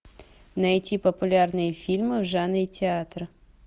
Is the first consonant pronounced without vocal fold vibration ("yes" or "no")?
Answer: no